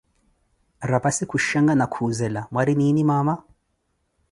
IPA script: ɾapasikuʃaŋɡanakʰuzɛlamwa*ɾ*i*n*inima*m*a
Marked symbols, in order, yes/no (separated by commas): yes, yes, yes